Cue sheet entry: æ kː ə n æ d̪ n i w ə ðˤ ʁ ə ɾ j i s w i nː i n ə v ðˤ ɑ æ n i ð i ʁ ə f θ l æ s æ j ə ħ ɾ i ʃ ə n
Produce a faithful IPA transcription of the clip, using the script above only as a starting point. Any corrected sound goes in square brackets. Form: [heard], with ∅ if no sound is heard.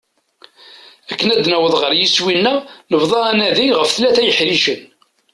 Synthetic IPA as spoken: æ kː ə n æ d̪ n [æ] w ə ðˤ ʁ ə ɾ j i s w i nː [æ] n ə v ðˤ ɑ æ n [æ] ð i ʁ ə f θ l æ [θ] æ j ə ħ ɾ i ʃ ə n